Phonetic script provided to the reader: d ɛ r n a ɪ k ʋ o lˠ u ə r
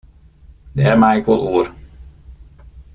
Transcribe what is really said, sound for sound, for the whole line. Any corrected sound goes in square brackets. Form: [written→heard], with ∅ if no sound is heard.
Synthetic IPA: d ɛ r [n→m] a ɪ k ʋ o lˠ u ə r